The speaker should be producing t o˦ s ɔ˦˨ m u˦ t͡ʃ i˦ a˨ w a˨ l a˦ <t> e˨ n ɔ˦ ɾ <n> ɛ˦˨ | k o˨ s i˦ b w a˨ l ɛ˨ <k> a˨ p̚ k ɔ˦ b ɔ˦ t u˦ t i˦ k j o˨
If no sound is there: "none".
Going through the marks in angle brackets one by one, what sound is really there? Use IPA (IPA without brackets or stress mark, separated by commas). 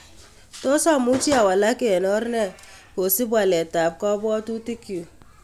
k, n, t